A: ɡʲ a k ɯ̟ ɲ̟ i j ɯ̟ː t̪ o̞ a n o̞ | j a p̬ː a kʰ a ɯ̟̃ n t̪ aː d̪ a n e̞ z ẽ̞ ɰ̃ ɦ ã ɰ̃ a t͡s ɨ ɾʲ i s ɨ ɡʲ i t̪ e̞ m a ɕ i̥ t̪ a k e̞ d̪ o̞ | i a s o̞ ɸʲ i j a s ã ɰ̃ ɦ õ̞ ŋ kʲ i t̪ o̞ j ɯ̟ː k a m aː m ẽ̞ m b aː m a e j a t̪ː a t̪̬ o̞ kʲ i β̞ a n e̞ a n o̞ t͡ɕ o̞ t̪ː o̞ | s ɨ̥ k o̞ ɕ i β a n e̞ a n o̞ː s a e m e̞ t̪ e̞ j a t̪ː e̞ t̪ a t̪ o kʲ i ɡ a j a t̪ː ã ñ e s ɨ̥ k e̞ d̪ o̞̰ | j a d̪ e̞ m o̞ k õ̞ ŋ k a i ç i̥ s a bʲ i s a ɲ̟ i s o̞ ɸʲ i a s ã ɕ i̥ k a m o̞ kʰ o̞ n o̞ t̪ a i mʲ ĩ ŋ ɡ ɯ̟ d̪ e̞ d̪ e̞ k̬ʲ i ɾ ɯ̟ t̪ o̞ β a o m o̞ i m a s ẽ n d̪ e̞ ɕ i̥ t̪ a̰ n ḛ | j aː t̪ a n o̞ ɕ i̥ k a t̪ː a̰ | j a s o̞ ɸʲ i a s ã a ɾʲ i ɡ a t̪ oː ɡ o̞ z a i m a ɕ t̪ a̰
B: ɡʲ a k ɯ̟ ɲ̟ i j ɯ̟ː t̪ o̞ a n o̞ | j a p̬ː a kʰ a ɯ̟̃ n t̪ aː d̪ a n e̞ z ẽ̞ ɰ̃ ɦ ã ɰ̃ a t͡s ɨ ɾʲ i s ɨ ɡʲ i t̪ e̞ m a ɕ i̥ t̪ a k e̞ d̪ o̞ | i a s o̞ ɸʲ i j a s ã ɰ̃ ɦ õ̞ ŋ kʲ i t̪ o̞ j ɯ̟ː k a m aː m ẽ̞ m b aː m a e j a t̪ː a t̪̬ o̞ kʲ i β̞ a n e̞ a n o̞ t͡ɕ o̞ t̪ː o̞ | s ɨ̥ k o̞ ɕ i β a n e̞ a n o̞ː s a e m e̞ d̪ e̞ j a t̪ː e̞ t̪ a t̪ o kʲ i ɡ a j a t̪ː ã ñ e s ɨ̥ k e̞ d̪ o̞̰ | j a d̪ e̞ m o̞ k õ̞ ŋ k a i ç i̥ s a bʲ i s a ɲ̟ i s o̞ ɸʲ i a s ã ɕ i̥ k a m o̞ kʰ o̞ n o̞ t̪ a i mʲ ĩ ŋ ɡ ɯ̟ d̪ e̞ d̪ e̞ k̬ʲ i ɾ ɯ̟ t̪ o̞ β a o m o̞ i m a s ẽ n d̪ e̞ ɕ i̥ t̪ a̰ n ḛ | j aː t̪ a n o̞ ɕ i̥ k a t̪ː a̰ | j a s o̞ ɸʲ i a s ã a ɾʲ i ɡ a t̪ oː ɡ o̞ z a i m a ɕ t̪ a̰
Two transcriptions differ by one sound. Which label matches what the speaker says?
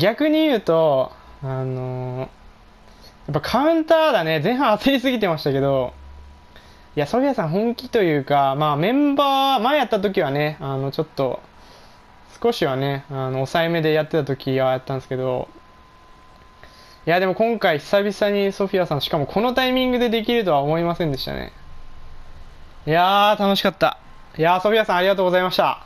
B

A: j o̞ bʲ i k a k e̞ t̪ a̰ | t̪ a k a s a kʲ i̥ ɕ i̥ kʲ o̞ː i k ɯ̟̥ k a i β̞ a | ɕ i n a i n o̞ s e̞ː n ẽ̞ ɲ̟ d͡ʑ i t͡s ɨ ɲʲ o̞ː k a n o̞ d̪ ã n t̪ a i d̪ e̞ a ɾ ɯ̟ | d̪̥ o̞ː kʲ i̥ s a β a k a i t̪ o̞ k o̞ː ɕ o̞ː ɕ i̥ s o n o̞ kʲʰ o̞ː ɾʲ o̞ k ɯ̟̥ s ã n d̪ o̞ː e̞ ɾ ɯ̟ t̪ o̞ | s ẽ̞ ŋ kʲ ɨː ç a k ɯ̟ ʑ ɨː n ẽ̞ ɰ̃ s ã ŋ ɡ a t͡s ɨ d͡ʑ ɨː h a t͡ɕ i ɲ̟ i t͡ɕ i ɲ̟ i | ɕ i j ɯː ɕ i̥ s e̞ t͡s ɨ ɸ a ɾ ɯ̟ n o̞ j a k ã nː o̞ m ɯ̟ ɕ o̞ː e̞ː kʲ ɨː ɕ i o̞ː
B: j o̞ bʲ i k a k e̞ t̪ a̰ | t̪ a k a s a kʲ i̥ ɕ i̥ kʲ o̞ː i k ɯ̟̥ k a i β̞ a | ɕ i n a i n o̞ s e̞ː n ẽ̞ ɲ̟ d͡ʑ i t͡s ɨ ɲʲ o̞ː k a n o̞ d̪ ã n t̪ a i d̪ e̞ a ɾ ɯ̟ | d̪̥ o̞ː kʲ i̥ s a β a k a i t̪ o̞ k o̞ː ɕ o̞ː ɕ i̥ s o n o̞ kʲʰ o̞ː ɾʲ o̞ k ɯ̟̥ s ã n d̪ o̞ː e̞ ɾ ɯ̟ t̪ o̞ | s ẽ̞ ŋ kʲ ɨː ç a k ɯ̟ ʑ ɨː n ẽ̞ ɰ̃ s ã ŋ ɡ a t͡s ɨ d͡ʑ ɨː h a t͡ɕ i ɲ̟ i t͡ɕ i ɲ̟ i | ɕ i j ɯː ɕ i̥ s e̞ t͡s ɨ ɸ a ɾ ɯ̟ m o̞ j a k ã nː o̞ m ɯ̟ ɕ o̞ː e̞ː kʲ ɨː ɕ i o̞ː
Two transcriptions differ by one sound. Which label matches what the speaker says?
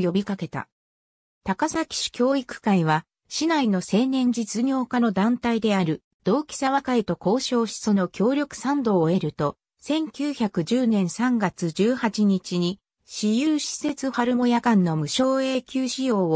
B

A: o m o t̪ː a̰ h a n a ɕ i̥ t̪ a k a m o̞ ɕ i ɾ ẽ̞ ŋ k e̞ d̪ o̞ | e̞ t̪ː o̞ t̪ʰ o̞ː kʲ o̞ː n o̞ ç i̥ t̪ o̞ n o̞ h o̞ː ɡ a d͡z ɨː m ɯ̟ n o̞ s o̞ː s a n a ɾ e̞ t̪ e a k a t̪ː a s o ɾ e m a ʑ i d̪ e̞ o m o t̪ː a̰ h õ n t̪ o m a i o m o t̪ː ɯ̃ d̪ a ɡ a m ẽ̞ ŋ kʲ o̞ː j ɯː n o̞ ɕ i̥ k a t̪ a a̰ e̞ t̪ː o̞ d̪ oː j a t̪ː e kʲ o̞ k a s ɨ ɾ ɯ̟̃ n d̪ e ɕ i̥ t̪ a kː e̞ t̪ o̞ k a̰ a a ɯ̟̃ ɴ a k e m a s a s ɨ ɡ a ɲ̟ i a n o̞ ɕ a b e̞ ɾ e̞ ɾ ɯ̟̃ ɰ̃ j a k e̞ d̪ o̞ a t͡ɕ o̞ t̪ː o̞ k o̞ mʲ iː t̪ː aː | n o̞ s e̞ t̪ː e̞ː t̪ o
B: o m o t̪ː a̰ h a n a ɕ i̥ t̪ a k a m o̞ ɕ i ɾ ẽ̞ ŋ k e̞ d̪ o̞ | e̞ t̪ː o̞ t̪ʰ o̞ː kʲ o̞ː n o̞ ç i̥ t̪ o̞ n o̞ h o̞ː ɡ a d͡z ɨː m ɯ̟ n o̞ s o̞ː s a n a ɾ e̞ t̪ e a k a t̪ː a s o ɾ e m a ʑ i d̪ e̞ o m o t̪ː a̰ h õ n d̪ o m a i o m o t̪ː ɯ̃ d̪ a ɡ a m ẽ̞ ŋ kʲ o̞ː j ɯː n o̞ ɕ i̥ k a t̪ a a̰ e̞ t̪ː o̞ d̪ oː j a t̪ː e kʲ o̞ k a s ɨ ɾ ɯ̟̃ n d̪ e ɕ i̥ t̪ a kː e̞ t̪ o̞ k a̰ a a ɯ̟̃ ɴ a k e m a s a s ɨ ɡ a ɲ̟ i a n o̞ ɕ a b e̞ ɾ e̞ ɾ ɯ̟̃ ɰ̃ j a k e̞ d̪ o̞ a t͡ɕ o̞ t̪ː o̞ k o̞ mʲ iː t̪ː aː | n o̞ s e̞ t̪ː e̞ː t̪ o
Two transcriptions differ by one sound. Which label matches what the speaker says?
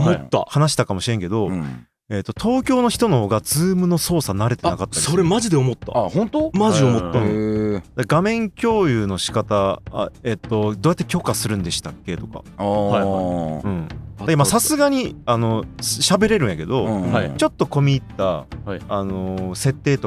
A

